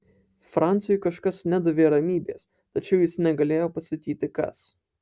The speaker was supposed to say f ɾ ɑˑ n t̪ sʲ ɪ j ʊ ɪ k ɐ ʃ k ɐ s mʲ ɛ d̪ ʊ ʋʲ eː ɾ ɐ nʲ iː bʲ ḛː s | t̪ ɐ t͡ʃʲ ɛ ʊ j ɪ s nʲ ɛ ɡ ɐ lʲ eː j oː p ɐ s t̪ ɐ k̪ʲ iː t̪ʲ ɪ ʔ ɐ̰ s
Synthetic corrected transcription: f ɾ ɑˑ n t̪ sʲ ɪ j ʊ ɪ k ɐ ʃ k ɐ s nʲ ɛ d̪ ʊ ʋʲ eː ɾ ɐ mʲ iː bʲ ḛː s | t̪ ɐ t͡ʃʲ ɛ ʊ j ɪ s nʲ ɛ ɡ ɐ lʲ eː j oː p ɐ s t̪ ɐ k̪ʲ iː t̪ʲ ɪ k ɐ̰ s